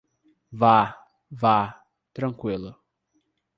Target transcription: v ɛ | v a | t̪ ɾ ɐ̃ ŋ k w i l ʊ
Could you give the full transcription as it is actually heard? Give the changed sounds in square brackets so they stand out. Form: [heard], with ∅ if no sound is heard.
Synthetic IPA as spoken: v [a] | v a | t̪ ɾ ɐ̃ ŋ k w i l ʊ